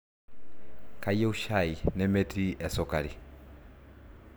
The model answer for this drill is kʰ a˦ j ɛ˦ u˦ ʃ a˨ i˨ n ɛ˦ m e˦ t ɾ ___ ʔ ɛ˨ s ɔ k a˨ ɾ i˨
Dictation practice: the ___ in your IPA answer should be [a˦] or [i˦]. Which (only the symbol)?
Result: i˦